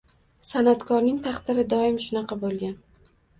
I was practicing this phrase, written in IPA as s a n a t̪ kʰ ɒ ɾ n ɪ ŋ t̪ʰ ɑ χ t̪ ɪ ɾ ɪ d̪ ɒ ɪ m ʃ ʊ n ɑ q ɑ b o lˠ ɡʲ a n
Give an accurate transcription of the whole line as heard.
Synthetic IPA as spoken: s a n a t̪ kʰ ɒ ɾ n ɪ ŋ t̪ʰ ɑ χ t̪ ɪ ɾ ɪ d̪ ɒ ɪ m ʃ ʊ n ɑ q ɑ b o lˠ ɡʲ a n

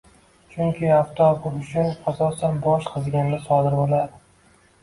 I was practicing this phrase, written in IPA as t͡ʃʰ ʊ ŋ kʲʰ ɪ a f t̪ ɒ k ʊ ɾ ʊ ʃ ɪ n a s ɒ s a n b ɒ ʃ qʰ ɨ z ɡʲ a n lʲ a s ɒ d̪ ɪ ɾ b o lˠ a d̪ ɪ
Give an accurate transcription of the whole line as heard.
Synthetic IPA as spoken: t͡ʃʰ ʊ ŋ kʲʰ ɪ a f t̪ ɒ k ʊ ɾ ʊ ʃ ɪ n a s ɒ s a n b ɒ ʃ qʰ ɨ z ɡʲ a n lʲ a s ɒ d̪ ɪ ɾ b o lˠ a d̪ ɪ

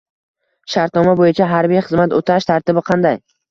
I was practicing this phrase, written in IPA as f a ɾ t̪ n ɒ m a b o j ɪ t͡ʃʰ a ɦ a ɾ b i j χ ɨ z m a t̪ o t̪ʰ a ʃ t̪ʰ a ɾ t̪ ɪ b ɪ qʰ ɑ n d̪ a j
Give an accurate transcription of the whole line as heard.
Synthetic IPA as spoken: ʃ a ɾ t̪ n ɒ m a b o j ɪ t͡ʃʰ a ɦ a ɾ b i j χ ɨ z m a t̪ o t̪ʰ a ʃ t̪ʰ a ɾ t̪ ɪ b ɪ qʰ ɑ n d̪ a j

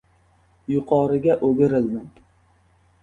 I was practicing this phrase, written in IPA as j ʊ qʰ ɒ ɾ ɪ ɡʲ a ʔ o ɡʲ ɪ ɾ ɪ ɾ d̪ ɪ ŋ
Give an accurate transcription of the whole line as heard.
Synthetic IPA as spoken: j ʊ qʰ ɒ ɾ ɪ ɡʲ a ʔ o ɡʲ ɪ ɾ ɪ l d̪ ɪ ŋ

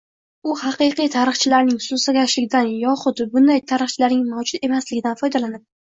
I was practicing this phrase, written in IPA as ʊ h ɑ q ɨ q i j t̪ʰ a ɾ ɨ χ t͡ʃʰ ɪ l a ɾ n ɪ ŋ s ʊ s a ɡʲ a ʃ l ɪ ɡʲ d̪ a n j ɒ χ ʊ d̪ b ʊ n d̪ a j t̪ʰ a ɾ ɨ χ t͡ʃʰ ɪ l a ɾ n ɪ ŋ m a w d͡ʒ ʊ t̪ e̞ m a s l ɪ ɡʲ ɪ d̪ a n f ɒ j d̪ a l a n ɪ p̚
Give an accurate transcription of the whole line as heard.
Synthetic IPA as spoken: ʊ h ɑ q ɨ q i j t̪ʰ a ɾ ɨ χ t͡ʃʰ ɪ l a ɾ n ɪ ŋ s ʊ s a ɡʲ a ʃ l ɪ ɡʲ d̪ a n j ɒ χ ʊ d̪ b ʊ n d̪ a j t̪ʰ a ɾ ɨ χ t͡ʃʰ ɪ l a ɾ n ɪ ŋ m a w d͡ʒ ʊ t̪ e̞ m a s l ɪ ɡʲ ɪ d̪ a n f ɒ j d̪ a l a n ɪ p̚

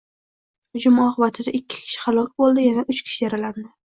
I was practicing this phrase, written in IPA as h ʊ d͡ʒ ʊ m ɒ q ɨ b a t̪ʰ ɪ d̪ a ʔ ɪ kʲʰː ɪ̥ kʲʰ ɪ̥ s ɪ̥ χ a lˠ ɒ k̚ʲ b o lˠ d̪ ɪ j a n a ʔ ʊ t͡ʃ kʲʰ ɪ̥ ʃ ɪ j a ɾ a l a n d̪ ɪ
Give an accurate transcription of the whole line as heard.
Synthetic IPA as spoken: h ʊ d͡ʒ ʊ m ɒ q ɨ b a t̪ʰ ɪ d̪ a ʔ ɪ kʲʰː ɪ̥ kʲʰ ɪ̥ ʃ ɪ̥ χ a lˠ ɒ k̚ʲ b o lˠ d̪ ɪ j a n a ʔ ʊ t͡ʃ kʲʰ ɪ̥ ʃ ɪ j a ɾ a l a n d̪ ɪ

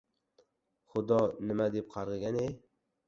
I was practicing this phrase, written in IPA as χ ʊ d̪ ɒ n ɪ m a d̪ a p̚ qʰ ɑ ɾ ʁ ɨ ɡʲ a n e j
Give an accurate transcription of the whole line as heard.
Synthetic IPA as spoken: χ ʊ d̪ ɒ n ɪ m a d̪ e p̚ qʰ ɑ ɾ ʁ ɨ ɡʲ a n e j

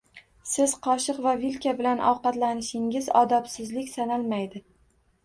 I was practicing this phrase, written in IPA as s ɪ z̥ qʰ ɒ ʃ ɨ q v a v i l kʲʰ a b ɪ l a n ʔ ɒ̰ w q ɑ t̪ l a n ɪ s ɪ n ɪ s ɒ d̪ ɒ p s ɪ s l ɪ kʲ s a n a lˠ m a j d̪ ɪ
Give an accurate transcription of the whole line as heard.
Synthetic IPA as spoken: s ɪ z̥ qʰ ɒ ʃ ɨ q v a v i l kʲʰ a b ɪ l a n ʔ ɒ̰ w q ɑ t̪ l a n ɪ ʃ ɪ ŋ ɪ z ɒ d̪ ɒ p s ɪ z l ɪ kʲ s a n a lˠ m a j d̪ ɪ

